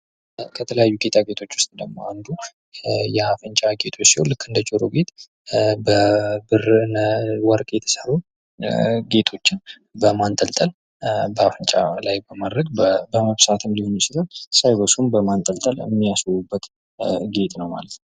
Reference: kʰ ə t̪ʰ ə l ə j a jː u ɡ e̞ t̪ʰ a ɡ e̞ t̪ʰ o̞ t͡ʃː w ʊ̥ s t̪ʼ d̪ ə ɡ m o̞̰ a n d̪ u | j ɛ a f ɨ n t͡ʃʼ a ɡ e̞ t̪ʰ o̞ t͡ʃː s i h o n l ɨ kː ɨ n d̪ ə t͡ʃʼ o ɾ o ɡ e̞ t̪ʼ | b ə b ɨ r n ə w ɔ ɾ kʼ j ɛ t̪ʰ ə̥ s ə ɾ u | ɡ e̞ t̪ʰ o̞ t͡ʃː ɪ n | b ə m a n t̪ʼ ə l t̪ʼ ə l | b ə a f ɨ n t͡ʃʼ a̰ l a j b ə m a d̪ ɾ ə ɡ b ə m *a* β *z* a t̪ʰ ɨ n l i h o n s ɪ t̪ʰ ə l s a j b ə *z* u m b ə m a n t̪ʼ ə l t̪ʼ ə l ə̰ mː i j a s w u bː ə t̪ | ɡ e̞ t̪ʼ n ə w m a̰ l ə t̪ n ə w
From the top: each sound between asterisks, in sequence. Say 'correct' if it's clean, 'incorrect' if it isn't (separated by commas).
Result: incorrect, incorrect, incorrect